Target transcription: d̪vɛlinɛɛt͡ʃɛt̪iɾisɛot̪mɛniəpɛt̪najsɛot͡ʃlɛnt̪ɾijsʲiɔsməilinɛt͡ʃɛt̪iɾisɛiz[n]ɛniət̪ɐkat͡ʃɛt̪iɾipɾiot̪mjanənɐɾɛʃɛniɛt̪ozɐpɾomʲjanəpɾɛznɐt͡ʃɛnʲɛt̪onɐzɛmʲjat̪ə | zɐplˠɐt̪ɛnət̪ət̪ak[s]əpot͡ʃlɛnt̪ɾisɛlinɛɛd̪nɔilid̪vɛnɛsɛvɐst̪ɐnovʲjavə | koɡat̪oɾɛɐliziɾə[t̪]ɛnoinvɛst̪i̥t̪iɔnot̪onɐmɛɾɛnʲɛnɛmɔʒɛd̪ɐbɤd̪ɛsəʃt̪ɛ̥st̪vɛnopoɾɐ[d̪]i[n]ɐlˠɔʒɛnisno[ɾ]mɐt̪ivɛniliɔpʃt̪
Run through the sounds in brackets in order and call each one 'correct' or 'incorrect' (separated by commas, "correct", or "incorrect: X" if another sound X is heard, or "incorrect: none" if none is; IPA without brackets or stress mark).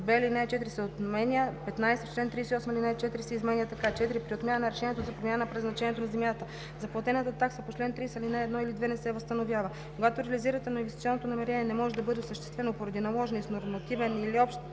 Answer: incorrect: m, correct, correct, correct, correct, correct